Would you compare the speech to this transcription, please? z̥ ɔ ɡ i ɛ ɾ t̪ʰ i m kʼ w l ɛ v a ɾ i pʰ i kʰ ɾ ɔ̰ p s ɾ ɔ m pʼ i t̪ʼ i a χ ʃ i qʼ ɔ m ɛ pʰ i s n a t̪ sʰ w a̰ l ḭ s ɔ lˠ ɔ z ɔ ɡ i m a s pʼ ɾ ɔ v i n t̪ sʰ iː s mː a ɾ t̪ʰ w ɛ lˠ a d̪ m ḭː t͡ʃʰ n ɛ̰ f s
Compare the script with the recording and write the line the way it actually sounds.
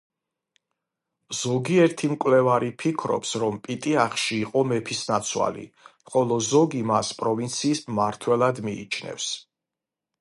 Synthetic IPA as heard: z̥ ɔ ɡ i ɛ ɾ t̪ʰ i m kʼ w l ɛ v a ɾ i pʰ i kʰ ɾ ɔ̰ p s ɾ ɔ m pʼ i t̪ʼ i a χ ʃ iː qʼ ɔ m ɛ pʰ i s n a t̪ sʰ w a̰ l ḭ χ ɔ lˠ ɔ z ɔ ɡ i m a s pʼ ɾ ɔ v i n t̪ sʰ iː s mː a ɾ t̪ʰ w ɛ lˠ a d̪ m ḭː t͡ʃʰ n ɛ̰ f s

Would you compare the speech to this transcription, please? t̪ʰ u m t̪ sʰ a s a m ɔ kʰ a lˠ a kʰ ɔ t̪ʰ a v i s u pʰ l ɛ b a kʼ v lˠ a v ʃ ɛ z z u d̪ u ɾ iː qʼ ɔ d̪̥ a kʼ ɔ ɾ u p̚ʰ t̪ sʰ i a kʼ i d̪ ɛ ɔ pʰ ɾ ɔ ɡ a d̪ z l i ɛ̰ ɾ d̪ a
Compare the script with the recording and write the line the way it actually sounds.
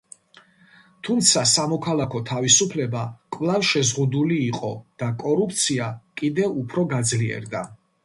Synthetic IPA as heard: t̪ʰ u m t̪ sʰ a s a m ɔ kʰ a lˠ a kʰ ɔ t̪ʰ a v i s u pʰ l ɛ b a kʼ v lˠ a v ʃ ɛ z ʁ u d̪ u l iː qʼ ɔ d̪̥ a kʼ ɔ ɾ u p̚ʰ t̪ sʰ i a kʼ i d̪ ɛ u pʰ ɾ ɔ ɡ a d̪ z l i ɛ̰ ɾ d̪ a

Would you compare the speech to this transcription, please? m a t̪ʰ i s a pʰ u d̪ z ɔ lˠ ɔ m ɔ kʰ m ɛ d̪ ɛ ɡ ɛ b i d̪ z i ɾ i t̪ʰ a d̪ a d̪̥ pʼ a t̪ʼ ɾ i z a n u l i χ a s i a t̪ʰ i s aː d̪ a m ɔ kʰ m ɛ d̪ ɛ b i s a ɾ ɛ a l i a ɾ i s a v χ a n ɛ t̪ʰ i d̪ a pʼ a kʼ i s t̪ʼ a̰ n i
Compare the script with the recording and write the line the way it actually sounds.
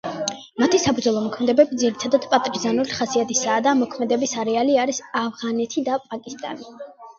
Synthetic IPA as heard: m a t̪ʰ i s a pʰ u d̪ z ɔ lˠ ɔ m ɔ kʰ m ɛ d̪ ɛ b ɛ b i d̪ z i ɾ i t̪ʰ a d̪ a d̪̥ pʼ a t̪ʼ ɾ i z a n u l i χ a s i a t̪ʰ i s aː d̪ a m ɔ kʰ m ɛ d̪ ɛ b i s a ɾ ɛ a l i a ɾ i s a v ʁ a n ɛ t̪ʰ i d̪ a pʼ a kʼ i s t̪ʼ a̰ n i

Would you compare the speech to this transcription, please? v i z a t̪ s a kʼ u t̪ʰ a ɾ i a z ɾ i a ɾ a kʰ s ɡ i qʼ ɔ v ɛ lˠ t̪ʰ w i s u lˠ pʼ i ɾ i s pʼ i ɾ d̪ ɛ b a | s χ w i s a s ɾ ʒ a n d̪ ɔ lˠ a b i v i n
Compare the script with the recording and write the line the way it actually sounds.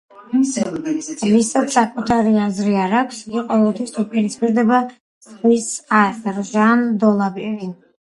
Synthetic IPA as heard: v i s a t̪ s a kʼ u t̪ʰ a ɾ i a z ɾ i a ɾ a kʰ s ɡ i qʼ ɔ v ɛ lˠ t̪ʰ w i s u pʼ i ɾ i s pʼ i ɾ d̪ ɛ b a | s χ w i s a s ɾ ʒ a n d̪ ɔ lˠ a b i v i n

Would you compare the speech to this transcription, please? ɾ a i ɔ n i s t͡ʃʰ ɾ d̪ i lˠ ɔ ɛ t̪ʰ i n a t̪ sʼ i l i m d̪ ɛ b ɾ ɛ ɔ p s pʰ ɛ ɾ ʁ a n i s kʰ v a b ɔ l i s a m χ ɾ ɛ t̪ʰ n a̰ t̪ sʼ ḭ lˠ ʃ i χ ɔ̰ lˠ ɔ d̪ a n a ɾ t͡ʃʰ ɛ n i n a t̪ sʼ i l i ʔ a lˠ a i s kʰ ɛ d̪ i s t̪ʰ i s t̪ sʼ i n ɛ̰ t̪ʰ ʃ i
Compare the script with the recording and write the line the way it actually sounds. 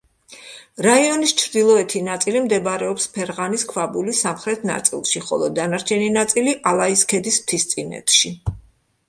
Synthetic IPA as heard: ɾ a i ɔ n i s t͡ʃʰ ɾ d̪ i lˠ ɔ ɛ t̪ʰ i n a t̪ sʼ i l i m d̪ ɛ b ɾ ɛ ɔ p s pʰ ɛ ɾ ʁ a n i s kʰ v a b u l i s a m χ ɾ ɛ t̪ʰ n a̰ t̪ sʼ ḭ lˠ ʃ i χ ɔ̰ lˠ ɔ d̪ a n a ɾ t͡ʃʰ ɛ n i n a t̪ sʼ i l i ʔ a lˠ a i s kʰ ɛ d̪ i s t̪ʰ i s t̪ sʼ i n ɛ̰ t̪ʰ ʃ i

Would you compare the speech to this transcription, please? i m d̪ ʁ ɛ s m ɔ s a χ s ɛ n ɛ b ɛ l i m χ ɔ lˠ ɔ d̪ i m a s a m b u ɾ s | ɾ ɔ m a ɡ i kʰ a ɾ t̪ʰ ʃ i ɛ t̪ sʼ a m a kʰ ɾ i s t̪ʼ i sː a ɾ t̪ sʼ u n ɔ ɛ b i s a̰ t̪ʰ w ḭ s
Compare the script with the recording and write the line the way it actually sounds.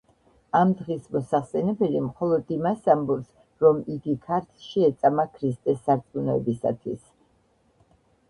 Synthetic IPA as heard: a m d̪ ʁ i s m ɔ s a χ s ɛ n ɛ b ɛ l i m χ ɔ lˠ ɔ d̪ i m a s a m b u ɾ s | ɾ ɔ m i ɡ i kʰ a ɾ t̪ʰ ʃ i ɛ t̪ sʼ a m a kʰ ɾ i s t̪ʼ ɛ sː a ɾ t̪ sʼ u n ɔ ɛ b i s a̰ t̪ʰ w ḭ s

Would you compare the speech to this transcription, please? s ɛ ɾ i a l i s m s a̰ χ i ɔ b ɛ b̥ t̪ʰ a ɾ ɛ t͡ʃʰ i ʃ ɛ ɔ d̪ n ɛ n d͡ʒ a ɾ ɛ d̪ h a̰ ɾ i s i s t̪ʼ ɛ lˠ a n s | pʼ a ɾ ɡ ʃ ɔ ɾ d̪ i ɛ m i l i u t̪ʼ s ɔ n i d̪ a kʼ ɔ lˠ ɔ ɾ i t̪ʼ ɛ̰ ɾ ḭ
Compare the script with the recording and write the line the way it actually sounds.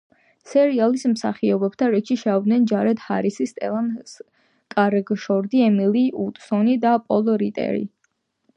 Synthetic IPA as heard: s ɛ ɾ i a l i s m s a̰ χ i ɔ b ɛ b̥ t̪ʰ a ɾ ɛ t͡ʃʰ i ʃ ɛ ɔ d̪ n ɛ n d͡ʒ a ɾ ɛ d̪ h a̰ ɾ i s i s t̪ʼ ɛ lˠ a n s | kʼ a ɾ ɡ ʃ ɔ ɾ d̪ i ɛ m i l i u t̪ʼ s ɔ n i d̪ a pʼ ɔ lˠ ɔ ɾ i t̪ʼ ɛ̰ ɾ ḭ

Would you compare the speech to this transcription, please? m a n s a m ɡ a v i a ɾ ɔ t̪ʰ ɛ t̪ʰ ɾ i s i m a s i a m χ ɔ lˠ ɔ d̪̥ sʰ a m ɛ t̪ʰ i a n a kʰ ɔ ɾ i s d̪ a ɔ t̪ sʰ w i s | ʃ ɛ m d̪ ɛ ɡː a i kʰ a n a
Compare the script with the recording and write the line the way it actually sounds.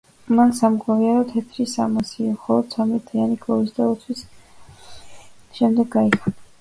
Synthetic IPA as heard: m a n s a m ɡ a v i a ɾ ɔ t̪ʰ ɛ t̪ʰ ɾ i s a m a s i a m χ ɔ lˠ ɔ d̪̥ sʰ a m ɛ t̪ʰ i a n i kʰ ɔ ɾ i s d̪ a ɔ t̪ sʰ w i s | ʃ ɛ m d̪ ɛ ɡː a i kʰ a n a

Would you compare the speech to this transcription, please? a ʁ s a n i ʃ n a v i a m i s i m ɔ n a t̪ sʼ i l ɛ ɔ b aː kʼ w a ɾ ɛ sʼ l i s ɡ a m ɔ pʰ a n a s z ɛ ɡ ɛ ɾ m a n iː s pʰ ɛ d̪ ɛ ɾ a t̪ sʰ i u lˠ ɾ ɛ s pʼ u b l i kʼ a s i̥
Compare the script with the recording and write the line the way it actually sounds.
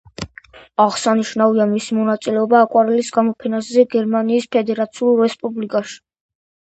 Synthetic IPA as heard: a ʁ s a n i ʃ n a v i a m i s i m ɔ n a t̪ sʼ i l ɛ ɔ b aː kʼ w a ɾ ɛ l i s ɡ a m ɔ pʰ ɛ n a s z ɛ ɡ ɛ ɾ m a n iː s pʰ ɛ d̪ ɛ ɾ a t̪ sʰ i u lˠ ɾ ɛ s pʼ u b l i kʼ a ʃ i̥

